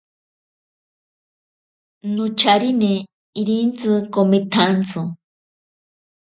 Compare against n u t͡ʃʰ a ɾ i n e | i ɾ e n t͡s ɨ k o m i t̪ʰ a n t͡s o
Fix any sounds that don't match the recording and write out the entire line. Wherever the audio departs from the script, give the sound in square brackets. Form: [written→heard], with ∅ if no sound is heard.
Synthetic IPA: n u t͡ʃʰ a ɾ i n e | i ɾ [e→i] n t͡s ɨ k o m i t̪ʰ a n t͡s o